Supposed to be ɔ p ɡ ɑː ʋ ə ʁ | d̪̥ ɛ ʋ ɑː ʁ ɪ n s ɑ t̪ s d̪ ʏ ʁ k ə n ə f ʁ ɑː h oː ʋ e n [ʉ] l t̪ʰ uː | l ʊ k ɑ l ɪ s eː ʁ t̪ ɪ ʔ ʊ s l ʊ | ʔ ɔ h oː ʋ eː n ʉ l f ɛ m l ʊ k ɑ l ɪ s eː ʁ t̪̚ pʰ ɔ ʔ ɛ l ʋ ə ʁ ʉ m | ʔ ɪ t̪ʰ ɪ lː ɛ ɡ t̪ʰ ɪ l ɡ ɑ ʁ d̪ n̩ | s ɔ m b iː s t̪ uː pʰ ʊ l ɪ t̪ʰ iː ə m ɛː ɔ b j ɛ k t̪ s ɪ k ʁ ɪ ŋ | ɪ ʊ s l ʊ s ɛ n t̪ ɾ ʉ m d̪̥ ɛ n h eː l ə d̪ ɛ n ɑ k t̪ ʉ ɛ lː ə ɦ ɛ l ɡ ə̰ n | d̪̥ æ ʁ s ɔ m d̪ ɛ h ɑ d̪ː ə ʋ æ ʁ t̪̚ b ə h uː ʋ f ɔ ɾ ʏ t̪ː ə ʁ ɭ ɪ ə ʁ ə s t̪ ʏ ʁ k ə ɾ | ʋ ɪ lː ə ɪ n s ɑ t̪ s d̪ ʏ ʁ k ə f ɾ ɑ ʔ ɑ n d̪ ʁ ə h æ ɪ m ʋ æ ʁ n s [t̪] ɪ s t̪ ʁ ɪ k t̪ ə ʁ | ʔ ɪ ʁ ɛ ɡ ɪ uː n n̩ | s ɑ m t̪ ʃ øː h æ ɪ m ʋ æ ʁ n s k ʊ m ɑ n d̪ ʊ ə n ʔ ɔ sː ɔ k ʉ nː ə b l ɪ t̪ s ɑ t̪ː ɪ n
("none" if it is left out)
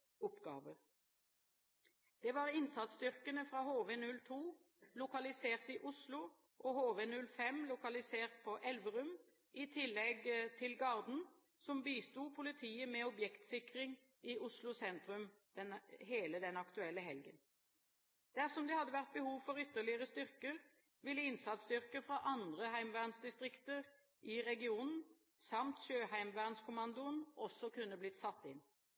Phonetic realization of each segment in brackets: ʉ, d̪

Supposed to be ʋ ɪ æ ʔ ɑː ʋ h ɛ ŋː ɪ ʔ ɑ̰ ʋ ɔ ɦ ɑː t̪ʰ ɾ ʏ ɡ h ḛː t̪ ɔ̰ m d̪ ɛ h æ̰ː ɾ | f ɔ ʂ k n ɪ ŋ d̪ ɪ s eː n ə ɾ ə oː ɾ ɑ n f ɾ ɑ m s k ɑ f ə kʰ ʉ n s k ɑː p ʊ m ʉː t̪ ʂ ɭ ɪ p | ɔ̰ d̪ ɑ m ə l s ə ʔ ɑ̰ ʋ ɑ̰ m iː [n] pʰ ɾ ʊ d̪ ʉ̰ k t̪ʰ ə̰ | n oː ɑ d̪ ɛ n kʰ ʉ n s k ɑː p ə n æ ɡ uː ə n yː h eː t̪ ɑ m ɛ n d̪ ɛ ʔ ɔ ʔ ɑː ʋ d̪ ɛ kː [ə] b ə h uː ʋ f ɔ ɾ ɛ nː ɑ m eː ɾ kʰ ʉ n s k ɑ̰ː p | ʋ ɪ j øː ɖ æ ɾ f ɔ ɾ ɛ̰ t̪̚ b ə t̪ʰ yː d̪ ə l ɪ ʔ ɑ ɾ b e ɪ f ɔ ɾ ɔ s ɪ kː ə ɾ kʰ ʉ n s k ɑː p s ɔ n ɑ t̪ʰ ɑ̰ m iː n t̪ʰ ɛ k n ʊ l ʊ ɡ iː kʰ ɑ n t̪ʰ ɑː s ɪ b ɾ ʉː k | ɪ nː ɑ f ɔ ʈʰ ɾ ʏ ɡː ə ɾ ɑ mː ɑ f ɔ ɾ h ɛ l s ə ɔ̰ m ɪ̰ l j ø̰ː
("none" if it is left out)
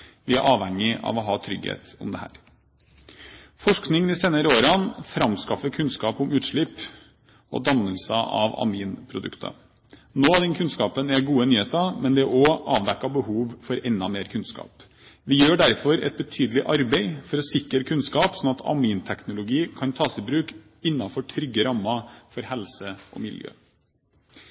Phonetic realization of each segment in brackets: n, ɑ

